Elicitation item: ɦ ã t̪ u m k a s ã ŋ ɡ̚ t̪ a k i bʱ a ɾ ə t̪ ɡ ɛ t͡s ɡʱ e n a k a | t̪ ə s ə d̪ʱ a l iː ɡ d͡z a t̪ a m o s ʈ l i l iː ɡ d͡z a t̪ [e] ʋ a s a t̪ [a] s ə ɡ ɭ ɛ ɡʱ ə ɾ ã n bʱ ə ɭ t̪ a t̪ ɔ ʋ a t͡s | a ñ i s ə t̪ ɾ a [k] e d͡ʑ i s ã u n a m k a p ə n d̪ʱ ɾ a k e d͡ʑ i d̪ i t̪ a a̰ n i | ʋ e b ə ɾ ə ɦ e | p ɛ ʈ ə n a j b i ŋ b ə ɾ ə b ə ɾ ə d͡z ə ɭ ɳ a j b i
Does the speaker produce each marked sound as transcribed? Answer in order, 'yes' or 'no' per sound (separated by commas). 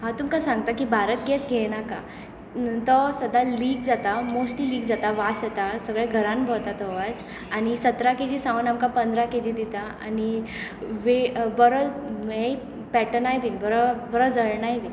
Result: no, yes, yes